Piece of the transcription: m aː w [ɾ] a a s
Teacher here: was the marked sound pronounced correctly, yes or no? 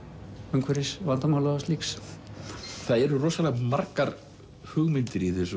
no